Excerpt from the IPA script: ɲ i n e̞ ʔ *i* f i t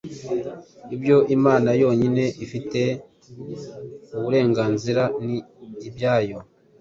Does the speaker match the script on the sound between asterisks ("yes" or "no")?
yes